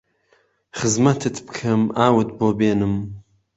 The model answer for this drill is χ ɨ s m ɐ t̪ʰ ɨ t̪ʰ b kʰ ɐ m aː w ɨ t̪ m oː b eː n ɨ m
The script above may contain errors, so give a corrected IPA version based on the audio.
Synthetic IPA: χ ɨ z m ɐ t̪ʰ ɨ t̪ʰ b kʰ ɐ m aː w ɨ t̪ b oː b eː n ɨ m